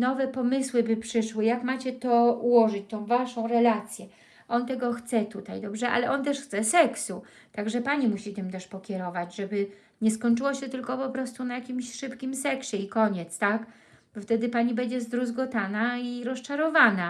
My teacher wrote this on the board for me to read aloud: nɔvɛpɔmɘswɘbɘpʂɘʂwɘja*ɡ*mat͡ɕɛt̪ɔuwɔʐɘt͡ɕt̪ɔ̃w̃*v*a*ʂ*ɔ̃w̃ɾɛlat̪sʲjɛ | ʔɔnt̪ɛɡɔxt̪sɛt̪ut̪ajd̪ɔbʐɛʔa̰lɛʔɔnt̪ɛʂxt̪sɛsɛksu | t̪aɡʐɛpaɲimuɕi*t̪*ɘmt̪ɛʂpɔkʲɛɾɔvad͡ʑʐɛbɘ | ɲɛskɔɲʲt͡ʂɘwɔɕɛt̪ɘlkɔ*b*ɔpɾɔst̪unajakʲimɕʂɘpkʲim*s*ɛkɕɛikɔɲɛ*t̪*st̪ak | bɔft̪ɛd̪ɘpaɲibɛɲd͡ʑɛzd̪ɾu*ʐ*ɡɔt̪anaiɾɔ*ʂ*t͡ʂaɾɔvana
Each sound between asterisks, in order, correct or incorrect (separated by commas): incorrect, correct, correct, correct, incorrect, correct, correct, incorrect, incorrect